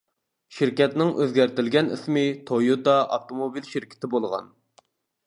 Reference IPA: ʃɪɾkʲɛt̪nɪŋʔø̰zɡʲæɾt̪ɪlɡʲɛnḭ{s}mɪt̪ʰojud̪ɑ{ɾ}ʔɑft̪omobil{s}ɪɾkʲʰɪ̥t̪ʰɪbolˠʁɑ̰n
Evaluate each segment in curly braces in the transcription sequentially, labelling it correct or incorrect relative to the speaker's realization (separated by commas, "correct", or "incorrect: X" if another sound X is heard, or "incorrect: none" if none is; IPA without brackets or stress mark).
correct, incorrect: none, incorrect: ʃ